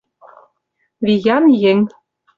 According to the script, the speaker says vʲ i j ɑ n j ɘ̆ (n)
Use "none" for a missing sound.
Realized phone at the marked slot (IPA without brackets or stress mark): ŋ